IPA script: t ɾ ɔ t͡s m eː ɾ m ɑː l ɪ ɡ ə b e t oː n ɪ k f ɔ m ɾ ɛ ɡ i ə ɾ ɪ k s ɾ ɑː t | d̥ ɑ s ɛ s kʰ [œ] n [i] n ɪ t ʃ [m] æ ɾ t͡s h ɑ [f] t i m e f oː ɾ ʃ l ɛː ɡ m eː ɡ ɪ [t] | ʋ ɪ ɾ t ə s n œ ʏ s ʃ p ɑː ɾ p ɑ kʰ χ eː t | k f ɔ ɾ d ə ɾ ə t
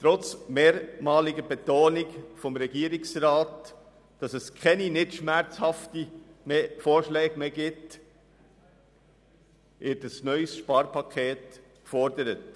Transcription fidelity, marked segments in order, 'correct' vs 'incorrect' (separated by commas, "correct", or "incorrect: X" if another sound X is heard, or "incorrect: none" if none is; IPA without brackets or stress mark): incorrect: ɛ, correct, correct, correct, correct